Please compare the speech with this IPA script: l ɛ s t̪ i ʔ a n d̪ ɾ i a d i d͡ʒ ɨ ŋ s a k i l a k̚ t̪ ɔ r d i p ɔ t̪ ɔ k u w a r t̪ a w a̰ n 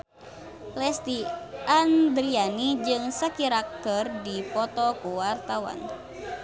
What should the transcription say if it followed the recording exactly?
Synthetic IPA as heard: l ɛ s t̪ i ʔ a n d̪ ɾ i a n i d͡ʒ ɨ ŋ s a k i ɾ a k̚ t̪ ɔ r d i p ɔ t̪ ɔ k u w a r t̪ a w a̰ n